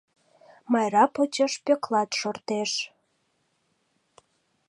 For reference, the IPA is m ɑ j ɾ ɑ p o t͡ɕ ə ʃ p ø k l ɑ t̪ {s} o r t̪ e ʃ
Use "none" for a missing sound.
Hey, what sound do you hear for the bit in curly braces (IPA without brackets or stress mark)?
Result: ʃ